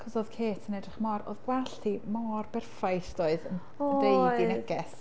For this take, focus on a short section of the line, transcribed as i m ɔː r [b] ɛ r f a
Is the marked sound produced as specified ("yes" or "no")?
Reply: yes